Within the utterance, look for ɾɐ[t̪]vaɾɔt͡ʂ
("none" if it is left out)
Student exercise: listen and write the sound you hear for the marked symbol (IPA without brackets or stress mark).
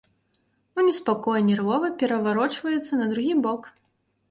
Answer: none